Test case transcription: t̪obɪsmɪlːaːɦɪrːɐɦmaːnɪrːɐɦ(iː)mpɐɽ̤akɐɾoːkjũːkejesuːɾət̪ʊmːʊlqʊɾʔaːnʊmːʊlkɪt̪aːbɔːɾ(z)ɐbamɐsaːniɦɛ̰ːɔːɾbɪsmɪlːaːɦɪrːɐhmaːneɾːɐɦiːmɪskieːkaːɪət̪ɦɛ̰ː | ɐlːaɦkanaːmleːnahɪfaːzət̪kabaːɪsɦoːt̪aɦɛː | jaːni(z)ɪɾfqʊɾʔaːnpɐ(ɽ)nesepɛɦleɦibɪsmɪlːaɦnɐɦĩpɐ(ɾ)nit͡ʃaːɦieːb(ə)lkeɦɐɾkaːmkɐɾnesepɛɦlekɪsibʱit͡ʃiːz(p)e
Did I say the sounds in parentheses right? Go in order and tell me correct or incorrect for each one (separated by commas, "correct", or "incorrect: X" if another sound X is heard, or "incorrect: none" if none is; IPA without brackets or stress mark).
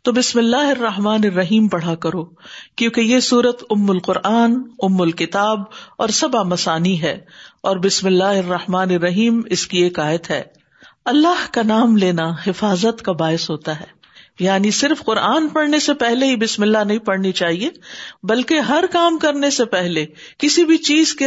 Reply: correct, incorrect: s, incorrect: s, correct, incorrect: ɽ, incorrect: ɐ, incorrect: k